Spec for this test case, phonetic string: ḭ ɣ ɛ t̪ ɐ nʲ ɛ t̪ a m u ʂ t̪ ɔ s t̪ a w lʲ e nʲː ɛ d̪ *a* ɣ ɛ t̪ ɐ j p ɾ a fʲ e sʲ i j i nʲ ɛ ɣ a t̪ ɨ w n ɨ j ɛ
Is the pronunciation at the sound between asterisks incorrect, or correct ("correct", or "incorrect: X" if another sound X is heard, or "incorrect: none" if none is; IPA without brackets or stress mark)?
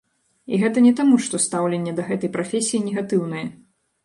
incorrect: ɐ